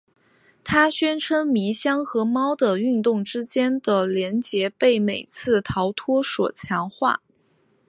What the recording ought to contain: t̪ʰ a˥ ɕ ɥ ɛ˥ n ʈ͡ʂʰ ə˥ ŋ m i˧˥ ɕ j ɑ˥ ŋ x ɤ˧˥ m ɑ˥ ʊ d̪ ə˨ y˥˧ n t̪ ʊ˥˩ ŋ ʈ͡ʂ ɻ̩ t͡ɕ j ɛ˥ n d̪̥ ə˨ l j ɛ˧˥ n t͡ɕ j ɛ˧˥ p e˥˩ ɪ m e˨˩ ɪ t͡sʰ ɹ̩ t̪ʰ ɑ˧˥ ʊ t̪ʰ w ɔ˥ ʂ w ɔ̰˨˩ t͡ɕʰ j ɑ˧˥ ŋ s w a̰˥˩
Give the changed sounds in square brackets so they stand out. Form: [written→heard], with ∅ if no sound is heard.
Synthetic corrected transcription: t̪ʰ a˥ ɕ ɥ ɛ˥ n ʈ͡ʂʰ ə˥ ŋ m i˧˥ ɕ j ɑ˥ ŋ x ɤ˧˥ m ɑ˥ ʊ d̪ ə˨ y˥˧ n t̪ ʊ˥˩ ŋ ʈ͡ʂ ɻ̩ t͡ɕ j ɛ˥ n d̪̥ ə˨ l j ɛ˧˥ n t͡ɕ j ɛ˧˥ p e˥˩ ɪ m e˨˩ ɪ t͡sʰ ɹ̩ t̪ʰ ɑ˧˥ ʊ t̪ʰ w ɔ˥ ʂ w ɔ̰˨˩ t͡ɕʰ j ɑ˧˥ ŋ [s→x] w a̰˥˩

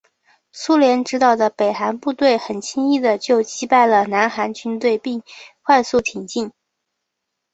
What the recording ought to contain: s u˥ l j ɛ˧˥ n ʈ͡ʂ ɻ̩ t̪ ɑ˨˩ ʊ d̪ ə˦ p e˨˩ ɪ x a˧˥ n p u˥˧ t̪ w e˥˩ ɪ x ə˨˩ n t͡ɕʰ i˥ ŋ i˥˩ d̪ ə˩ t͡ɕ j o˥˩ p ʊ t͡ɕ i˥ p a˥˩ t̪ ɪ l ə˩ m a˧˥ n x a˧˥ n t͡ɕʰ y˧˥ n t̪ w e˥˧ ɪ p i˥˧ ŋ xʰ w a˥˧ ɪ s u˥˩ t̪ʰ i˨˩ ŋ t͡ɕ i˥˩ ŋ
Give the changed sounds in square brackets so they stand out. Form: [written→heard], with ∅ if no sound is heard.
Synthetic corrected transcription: s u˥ l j ɛ˧˥ n ʈ͡ʂ ɻ̩ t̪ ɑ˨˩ ʊ d̪ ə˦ p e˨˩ ɪ x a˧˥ n p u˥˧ t̪ w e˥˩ ɪ x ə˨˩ n t͡ɕʰ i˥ ŋ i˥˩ d̪ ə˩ t͡ɕ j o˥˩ [p→∅] ʊ t͡ɕ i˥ p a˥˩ [t̪→∅] ɪ l ə˩ [m→n] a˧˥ n x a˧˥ n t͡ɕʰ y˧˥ n t̪ w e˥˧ ɪ p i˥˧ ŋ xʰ w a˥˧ ɪ s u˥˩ t̪ʰ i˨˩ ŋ t͡ɕ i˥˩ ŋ

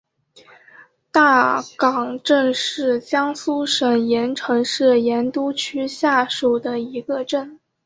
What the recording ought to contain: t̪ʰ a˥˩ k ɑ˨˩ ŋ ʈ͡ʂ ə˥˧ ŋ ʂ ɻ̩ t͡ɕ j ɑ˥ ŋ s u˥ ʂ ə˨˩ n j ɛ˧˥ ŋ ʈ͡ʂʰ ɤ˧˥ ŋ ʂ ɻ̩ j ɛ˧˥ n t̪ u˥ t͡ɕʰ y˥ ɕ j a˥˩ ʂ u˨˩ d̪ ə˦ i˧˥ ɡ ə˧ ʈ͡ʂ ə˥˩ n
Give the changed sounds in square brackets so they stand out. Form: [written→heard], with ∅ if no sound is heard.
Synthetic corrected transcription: [t̪ʰ→t̪] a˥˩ k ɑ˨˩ ŋ ʈ͡ʂ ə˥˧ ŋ ʂ ɻ̩ t͡ɕ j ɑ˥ ŋ s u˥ ʂ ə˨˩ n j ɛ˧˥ [ŋ→n] ʈ͡ʂʰ ɤ˧˥ ŋ ʂ ɻ̩ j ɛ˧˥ n t̪ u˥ t͡ɕʰ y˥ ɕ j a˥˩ ʂ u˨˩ d̪ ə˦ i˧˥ ɡ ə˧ ʈ͡ʂ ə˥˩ n

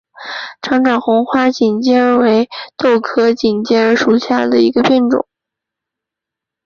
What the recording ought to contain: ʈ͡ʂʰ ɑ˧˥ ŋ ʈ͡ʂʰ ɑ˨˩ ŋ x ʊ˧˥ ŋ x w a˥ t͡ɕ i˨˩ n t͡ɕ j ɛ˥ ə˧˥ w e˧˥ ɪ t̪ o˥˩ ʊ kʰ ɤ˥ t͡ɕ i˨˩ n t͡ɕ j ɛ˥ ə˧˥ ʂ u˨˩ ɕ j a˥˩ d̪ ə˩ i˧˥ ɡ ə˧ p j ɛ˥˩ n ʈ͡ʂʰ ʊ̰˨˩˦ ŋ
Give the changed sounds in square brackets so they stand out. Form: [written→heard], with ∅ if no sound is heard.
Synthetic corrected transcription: ʈ͡ʂʰ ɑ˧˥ ŋ [ʈ͡ʂʰ→ʈ͡ʂ] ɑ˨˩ ŋ x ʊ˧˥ ŋ x w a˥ t͡ɕ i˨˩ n t͡ɕ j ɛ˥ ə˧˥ w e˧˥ ɪ t̪ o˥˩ ʊ kʰ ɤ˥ t͡ɕ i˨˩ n t͡ɕ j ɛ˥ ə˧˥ ʂ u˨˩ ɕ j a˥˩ d̪ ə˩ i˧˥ ɡ ə˧ p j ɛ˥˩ n [ʈ͡ʂʰ→ʈ͡ʂ] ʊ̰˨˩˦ ŋ

